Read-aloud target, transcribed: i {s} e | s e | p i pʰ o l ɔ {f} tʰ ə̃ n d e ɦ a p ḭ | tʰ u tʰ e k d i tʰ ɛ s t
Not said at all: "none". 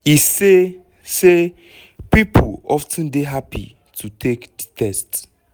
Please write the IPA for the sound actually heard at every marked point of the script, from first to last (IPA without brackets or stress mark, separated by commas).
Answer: s, f